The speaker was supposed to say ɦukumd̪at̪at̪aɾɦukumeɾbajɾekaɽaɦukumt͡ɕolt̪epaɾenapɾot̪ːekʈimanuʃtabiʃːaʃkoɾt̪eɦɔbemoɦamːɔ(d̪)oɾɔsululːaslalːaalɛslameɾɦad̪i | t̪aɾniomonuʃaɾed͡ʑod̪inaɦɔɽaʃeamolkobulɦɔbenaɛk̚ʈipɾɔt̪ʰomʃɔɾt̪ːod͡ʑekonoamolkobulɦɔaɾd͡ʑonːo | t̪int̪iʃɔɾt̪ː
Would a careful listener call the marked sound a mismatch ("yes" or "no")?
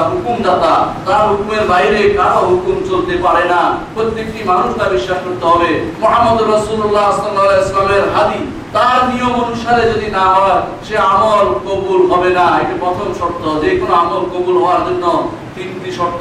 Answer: no